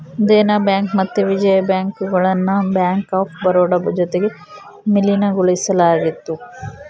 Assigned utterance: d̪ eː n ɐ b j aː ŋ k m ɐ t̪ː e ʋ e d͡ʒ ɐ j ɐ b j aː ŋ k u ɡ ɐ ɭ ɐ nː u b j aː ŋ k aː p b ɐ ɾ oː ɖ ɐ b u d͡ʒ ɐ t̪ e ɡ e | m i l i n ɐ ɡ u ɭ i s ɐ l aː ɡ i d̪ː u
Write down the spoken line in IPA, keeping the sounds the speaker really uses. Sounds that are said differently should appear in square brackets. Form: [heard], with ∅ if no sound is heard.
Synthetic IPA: d̪ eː n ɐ b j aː ŋ k m ɐ t̪ː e ʋ [i] d͡ʒ ɐ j ɐ b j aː ŋ k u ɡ ɐ ɭ ɐ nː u b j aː ŋ k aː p b ɐ ɾ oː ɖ ɐ b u d͡ʒ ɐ t̪ e ɡ e | m i l i n ɐ ɡ u ɭ i s ɐ l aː ɡ i [t̪ː] u